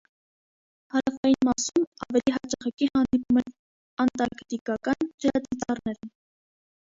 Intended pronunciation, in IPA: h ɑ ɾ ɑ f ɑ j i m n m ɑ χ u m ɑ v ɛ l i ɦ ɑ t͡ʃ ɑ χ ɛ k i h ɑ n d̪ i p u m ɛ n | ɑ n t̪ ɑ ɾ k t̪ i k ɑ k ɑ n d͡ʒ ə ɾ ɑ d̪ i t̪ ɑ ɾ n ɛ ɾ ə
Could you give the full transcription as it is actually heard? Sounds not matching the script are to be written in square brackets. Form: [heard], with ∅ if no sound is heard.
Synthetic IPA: h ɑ ɾ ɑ f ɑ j i [∅] n m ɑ [s] u m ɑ v ɛ l i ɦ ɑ t͡ʃ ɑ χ ɛ k i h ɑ n d̪ i p u m ɛ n | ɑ n t̪ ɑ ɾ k t̪ i k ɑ k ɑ n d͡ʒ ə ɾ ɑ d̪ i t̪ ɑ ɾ n ɛ ɾ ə

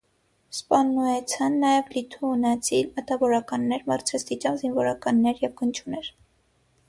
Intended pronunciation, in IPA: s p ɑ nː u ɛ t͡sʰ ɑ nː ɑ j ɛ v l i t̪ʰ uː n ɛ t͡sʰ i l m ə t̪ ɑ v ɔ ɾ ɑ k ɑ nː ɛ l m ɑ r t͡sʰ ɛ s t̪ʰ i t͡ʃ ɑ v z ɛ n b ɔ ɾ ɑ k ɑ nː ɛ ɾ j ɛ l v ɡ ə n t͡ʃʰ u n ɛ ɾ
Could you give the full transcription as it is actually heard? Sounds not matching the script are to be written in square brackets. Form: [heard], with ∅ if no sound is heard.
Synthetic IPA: s p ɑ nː u ɛ t͡sʰ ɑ nː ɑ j ɛ v l i t̪ʰ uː n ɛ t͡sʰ i l m ə t̪ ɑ v ɔ ɾ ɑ k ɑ nː ɛ [ɾ] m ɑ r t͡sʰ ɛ s [t̪] i t͡ʃ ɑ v z [i] n [v] ɔ ɾ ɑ k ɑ nː ɛ ɾ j ɛ [∅] v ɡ ə n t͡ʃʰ u n ɛ ɾ

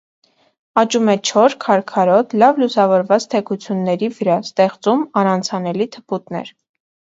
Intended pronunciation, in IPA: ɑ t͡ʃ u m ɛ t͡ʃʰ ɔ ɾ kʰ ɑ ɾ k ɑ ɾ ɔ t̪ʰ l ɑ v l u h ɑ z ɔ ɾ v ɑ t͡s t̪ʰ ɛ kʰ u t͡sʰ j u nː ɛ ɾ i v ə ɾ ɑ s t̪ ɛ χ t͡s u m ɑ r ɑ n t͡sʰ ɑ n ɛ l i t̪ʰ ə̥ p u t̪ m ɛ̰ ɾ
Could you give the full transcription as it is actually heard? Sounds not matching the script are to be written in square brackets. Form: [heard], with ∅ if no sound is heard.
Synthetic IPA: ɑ t͡ʃ u m ɛ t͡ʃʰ ɔ ɾ kʰ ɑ ɾ [kʰ] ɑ ɾ ɔ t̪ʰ l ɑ v l u [s] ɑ [v] ɔ ɾ v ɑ t͡s t̪ʰ ɛ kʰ u t͡sʰ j u nː ɛ ɾ i v ə ɾ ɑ s t̪ ɛ χ t͡s u m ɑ [ɾ] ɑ n t͡sʰ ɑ n ɛ l i t̪ʰ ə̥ p u t̪ [n] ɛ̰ ɾ

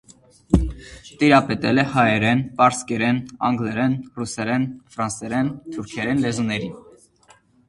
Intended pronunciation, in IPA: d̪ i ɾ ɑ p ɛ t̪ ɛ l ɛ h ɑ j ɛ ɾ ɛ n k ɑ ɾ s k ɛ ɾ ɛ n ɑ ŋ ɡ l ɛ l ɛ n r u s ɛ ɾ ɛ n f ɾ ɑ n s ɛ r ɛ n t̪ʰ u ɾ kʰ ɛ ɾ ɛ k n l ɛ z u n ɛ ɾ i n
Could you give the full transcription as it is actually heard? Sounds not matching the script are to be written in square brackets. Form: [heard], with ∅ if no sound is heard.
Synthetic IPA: [t̪] i ɾ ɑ p ɛ t̪ ɛ l ɛ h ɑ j ɛ ɾ ɛ n [p] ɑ ɾ s k ɛ ɾ ɛ n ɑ ŋ ɡ l ɛ [ɾ] ɛ n r u s ɛ ɾ ɛ n f ɾ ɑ n s ɛ [ɾ] ɛ n t̪ʰ u ɾ kʰ ɛ ɾ ɛ [∅] n l ɛ z u n ɛ ɾ i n

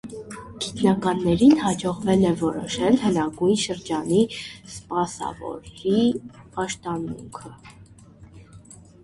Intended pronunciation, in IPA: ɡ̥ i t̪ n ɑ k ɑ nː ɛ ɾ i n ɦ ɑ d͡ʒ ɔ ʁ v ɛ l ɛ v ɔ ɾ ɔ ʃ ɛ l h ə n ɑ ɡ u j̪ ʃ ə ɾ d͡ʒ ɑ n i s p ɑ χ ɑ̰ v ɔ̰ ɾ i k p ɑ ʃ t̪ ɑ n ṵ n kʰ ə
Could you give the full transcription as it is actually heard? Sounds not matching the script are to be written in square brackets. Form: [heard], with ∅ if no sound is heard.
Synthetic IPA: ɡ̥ i t̪ n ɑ k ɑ nː ɛ ɾ i n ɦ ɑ d͡ʒ ɔ ʁ v ɛ l ɛ v ɔ ɾ ɔ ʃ ɛ l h ə n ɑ ɡ u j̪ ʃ ə ɾ d͡ʒ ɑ n i s p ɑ [s] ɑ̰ v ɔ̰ ɾ i [∅] p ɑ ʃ t̪ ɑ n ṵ [ŋ] kʰ ə

